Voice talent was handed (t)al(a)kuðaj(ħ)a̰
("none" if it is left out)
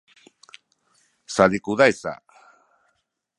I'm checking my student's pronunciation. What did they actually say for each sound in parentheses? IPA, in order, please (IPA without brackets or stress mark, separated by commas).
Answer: s, i, s